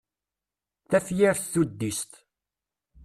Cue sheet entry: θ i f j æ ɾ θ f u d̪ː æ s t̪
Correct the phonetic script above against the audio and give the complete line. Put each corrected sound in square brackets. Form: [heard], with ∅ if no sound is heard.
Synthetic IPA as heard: θ [æ] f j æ ɾ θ [θ] u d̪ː [i] s t̪